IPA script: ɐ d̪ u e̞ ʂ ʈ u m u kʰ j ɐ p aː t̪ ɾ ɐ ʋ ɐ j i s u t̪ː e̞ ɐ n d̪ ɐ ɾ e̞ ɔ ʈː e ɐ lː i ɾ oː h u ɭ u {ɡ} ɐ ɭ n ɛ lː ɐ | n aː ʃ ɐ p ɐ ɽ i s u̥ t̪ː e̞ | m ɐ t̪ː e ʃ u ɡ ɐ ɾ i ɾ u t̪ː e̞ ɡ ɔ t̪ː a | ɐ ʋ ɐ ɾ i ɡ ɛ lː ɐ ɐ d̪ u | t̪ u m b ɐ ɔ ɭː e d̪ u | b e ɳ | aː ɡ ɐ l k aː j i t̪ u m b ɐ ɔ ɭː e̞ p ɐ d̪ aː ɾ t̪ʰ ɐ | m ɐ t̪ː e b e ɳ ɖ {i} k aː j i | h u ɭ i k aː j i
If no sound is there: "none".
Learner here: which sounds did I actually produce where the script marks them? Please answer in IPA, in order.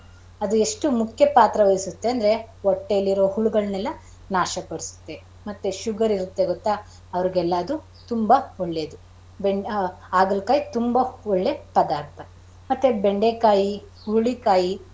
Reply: ɡ, e

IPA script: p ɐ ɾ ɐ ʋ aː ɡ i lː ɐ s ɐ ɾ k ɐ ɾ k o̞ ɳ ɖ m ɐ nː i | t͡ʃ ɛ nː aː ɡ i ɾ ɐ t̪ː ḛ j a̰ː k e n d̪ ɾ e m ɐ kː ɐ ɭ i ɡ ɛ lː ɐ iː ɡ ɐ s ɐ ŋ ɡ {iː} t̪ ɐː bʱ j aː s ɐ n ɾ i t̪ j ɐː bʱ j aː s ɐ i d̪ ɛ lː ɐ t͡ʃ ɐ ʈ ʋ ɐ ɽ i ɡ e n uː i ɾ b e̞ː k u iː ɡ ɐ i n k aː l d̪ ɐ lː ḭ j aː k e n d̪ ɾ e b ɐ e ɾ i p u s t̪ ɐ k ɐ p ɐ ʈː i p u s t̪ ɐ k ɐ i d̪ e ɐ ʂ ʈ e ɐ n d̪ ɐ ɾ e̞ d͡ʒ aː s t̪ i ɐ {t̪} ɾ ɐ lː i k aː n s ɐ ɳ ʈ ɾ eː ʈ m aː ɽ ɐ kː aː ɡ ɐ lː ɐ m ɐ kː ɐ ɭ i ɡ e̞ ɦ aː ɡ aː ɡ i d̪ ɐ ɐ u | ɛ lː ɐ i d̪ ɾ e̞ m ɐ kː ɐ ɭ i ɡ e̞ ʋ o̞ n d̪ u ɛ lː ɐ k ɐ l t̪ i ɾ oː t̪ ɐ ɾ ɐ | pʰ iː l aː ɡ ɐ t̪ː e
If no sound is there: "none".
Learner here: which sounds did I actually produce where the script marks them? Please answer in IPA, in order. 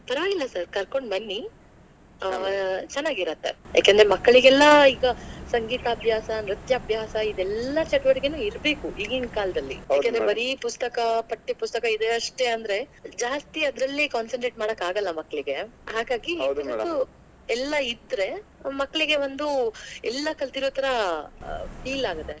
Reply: iː, d̪

